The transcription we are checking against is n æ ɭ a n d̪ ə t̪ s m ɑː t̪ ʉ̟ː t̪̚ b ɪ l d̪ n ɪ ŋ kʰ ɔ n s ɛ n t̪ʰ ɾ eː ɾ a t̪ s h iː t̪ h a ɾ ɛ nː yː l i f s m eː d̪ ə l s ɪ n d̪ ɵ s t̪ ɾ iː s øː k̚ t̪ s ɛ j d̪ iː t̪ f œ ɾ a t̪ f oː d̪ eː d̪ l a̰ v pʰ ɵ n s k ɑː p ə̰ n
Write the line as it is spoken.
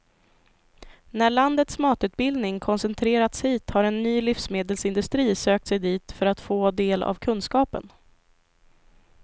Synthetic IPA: n æ ɭ a n d̪ ə t̪ s m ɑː t̪ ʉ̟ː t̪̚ b ɪ l d̪ n ɪ ŋ kʰ ɔ n s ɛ n t̪ʰ ɾ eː ɾ a t̪ s h iː t̪ h a ɾ ɛ nː yː l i f s m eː d̪ ə l s ɪ n d̪ ɵ s t̪ ɾ iː s øː k̚ t̪ s ɛ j d̪ iː t̪ f œ ɾ a t̪ f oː d̪ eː l a̰ v kʰ ɵ n s k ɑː p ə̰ n

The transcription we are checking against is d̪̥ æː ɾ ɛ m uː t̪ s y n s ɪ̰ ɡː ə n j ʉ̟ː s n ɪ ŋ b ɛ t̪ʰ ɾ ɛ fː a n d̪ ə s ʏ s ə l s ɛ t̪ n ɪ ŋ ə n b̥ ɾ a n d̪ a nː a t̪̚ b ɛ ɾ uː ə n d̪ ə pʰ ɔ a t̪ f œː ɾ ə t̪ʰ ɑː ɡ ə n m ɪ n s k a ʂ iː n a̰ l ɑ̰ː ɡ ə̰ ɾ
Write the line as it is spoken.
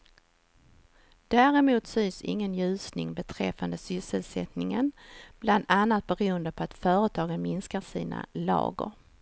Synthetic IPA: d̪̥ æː ɾ ɛ m uː t̪ s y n s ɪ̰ ŋː ə n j ʉ̟ː s n ɪ ŋ b ɛ t̪ʰ ɾ ɛ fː a n d̪ ə s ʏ s ə l s ɛ t̪ n ɪ ŋ ə n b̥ l a n d̪ a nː a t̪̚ b ɛ ɾ uː ə n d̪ ə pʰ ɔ a t̪ f œː ɾ ə t̪ʰ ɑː ɡ ə n m ɪ n s k a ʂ iː n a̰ l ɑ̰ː ɡ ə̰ ɾ

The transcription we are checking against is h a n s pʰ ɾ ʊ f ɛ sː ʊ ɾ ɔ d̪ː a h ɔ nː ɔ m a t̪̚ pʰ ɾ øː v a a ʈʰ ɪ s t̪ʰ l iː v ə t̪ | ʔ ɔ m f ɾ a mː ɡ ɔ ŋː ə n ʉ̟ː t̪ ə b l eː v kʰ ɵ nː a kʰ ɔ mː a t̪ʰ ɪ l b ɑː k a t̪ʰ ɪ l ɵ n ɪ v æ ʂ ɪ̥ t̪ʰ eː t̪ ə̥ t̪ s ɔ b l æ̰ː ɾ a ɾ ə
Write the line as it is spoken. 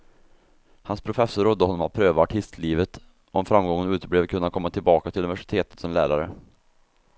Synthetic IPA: h a n s pʰ ɾ ʊ f ɛ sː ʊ ɾ ɔ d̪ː ə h ɔ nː ɔ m a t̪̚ pʰ ɾ øː v a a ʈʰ ɪ s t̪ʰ l iː v ə t̪ | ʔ ɔ m f ɾ a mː ɡ ɔ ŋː ə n ʉ̟ː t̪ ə b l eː v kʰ ɵ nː a kʰ ɔ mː a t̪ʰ ɪ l b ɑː k a t̪ʰ ɪ l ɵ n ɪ v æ ʂ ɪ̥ t̪ʰ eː t̪ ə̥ t̪ s ɔ m l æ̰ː ɾ a ɾ ə

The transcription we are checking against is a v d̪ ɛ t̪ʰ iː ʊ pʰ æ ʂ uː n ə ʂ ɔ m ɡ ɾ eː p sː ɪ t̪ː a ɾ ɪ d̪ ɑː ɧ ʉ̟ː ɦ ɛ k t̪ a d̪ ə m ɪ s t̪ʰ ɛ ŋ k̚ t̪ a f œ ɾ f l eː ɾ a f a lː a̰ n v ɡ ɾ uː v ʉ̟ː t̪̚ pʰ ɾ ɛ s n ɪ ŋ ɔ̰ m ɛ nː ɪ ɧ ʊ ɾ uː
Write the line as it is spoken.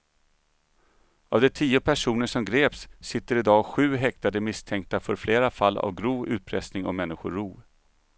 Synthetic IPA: a v d̪ ɛ t̪ʰ iː ʊ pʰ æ ʂ uː n ə ʂ ɔ m ɡ ɾ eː p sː ɪ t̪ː ə ɾ ɪ d̪ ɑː ɧ ʉ̟ː ɦ ɛ k t̪ a d̪ ə m ɪ s t̪ʰ ɛ ŋ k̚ t̪ a f œ ɾ f l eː ɾ a f a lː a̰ v ɡ ɾ uː v ʉ̟ː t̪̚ pʰ ɾ ɛ s n ɪ ŋ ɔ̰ m ɛ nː ɪ ɧ ʊ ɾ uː

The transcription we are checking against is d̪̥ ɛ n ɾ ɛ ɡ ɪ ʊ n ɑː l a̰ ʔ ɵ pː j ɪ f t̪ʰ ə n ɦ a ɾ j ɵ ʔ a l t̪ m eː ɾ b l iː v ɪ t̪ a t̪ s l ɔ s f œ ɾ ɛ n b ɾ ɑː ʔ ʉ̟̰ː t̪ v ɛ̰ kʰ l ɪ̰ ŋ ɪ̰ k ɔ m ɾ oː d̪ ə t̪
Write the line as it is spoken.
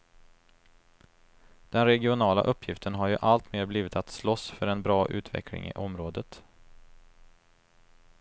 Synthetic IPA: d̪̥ ɛ n ɾ ɛ ɡ ɪ ʊ n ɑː l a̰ ʔ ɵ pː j ɪ f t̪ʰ ə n ɦ a ɾ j ɵ ʔ a l t̪ m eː ɾ b l iː v ɪ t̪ a t̪ s l ɔ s f œ ɾ ɛ n b ɾ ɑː ʔ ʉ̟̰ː t̪ v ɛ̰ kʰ l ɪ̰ ŋ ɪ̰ ʔ ɔ m ɾ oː d̪ ə t̪

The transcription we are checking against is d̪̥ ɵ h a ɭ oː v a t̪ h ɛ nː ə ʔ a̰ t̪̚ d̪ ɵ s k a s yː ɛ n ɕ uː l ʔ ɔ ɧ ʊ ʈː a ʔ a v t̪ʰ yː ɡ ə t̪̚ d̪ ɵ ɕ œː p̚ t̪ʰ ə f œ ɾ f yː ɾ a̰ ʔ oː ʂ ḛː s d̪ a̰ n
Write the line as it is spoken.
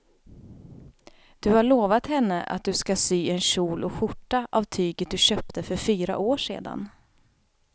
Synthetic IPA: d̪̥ ɵ h a ɭ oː v a t̪ h ɛ nː ə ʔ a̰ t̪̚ d̪ ɵ s k a s yː ɛ n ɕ uː l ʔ ɔ ɧ ʊ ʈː a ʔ a v t̪ʰ yː ɡ ə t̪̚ d̪ ɵ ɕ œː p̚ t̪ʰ ə f œ ɾ f yː ɾ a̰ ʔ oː ʂ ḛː d̪ a̰ n

